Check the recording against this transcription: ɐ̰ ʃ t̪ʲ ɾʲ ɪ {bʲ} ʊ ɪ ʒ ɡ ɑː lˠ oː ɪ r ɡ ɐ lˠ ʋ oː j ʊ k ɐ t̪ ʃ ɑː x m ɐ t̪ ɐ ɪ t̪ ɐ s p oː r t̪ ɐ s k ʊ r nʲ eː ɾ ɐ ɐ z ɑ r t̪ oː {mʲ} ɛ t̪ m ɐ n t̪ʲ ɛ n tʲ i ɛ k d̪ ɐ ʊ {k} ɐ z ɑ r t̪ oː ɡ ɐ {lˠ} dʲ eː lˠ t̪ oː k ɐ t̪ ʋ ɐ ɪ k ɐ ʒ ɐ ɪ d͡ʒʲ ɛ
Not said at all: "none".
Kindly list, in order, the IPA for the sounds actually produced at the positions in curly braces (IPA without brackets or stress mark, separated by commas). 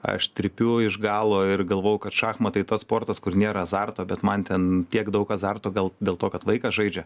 pʲ, bʲ, k, lˠ